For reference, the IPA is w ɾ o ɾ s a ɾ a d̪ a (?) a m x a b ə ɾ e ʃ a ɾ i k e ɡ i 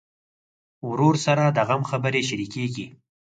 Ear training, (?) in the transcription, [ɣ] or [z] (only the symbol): ɣ